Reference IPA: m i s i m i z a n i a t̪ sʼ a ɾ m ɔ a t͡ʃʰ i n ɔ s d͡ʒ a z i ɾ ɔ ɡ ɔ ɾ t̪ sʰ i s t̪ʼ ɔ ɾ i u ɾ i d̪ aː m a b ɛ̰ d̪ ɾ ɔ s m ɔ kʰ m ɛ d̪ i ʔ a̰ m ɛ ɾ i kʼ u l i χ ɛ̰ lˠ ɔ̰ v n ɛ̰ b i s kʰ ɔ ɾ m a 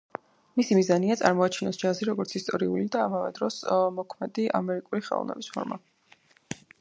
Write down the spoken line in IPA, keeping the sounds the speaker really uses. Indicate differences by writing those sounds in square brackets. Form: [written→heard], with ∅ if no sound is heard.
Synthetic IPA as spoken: m i s i m i z a n i a t̪ sʼ a ɾ m ɔ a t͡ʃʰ i n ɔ s d͡ʒ a z i ɾ ɔ ɡ ɔ ɾ t̪ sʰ i s t̪ʼ ɔ ɾ i u [ɾ→l] i d̪ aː m a [b→v] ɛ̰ d̪ ɾ ɔ s m ɔ kʰ m ɛ d̪ i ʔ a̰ m ɛ ɾ i kʼ u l i χ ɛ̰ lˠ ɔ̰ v n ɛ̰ b i s [kʰ→pʰ] ɔ ɾ m a